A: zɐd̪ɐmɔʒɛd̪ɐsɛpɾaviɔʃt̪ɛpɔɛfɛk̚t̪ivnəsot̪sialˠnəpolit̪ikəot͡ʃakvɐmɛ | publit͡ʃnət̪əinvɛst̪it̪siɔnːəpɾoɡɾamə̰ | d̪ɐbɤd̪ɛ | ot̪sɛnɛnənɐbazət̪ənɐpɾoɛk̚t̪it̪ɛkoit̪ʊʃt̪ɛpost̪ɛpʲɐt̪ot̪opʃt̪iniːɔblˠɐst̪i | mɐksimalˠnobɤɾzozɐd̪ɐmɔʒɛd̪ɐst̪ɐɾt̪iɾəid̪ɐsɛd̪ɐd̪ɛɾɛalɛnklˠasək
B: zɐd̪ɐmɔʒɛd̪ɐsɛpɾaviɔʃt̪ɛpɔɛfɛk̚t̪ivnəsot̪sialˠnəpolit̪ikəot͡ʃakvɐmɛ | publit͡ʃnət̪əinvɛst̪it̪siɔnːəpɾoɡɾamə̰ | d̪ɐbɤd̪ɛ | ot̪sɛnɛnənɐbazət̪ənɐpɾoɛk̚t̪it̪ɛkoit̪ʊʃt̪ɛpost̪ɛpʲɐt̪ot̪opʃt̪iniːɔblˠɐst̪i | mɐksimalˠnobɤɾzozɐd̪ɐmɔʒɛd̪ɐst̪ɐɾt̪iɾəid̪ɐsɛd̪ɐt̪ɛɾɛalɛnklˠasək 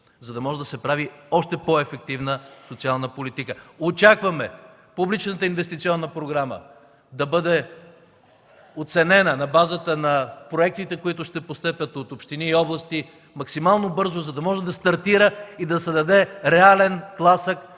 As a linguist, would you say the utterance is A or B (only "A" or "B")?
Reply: A